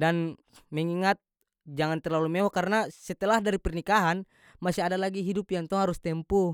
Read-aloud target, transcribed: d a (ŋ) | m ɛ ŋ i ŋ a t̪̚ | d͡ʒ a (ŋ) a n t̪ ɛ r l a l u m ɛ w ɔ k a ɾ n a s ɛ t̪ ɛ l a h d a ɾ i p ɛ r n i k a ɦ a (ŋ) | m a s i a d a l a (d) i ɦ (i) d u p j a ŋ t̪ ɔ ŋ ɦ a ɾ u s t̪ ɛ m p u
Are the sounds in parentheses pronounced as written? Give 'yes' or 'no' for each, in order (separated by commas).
no, yes, no, no, yes